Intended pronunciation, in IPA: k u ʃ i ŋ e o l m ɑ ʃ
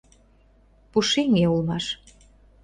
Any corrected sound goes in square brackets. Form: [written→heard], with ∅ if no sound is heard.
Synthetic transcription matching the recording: [k→p] u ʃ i ŋ e [o→u] l m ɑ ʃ